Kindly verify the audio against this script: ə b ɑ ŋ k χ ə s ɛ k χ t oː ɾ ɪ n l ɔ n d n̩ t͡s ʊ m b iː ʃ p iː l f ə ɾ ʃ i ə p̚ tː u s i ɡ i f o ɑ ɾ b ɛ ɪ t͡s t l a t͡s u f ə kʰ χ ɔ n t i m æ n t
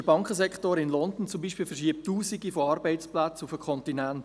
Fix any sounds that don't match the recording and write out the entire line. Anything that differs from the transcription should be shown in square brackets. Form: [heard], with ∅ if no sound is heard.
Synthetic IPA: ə b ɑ ŋ k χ ə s ɛ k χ t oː ɾ ɪ n l ɔ n d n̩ t͡s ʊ m b iː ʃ p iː l f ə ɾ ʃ i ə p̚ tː [uː] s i ɡ i f o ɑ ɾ b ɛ ɪ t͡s [p] l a t͡s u f ə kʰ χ ɔ n t i [n] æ n t